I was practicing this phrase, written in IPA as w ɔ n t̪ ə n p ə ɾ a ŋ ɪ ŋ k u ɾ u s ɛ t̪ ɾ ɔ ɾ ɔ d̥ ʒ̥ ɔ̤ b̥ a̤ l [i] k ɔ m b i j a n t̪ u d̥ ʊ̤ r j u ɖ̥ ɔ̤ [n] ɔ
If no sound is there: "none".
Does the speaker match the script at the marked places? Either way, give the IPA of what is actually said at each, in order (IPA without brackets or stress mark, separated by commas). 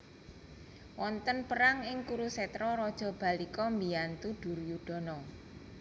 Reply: i, n